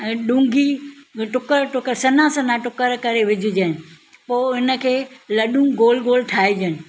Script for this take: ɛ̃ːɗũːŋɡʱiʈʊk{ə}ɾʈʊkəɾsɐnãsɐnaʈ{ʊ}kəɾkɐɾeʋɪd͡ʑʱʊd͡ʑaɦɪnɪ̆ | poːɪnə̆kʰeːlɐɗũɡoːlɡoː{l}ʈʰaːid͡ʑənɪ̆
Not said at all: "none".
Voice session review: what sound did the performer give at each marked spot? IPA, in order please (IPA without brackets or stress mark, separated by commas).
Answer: ə, ʊ, l